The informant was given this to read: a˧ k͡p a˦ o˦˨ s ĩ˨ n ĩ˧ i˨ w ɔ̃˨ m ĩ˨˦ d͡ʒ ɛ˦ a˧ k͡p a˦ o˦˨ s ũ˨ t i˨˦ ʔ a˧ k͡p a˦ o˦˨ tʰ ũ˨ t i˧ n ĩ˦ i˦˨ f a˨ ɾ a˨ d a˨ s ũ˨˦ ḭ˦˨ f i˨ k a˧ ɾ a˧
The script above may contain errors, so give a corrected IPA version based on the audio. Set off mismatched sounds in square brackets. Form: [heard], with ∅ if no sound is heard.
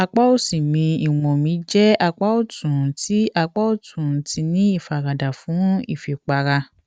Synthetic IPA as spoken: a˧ k͡p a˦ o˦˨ s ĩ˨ [m] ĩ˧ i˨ w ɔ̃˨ m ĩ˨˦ d͡ʒ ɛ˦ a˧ k͡p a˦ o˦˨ [t] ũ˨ t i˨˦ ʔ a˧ k͡p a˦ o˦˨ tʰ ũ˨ t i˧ n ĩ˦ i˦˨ f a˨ ɾ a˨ d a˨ [f] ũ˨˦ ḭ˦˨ f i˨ [k͡p] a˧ ɾ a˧